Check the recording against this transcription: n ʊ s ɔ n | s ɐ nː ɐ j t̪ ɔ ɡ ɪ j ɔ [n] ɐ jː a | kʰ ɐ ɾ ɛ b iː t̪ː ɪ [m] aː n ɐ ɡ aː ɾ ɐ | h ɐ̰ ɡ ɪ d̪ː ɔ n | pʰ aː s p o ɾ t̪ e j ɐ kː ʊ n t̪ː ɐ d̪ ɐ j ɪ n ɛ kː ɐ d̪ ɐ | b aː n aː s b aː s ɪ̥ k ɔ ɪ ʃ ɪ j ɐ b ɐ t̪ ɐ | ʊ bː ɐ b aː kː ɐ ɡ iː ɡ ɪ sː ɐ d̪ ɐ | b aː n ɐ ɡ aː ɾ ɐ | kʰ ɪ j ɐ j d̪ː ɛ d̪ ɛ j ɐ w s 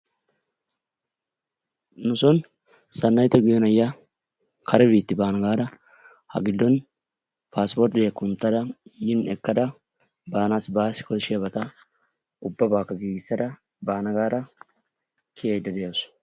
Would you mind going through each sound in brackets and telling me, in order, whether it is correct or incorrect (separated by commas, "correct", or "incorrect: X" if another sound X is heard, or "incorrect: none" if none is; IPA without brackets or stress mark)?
correct, incorrect: b